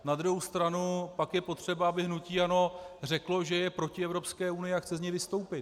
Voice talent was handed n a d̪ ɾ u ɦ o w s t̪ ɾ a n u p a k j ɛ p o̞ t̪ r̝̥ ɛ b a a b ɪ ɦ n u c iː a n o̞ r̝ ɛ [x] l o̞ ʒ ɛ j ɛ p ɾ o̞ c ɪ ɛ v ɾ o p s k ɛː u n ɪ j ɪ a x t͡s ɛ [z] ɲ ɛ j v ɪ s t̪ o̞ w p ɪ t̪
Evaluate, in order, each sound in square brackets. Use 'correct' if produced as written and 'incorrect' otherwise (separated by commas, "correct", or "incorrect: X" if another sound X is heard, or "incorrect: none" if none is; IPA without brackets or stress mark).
incorrect: k, correct